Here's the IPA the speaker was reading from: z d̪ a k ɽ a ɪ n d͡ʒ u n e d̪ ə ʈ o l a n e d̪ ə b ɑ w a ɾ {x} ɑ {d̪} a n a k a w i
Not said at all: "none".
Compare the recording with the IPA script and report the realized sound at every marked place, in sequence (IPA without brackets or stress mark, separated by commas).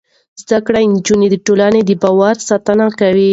s, t̪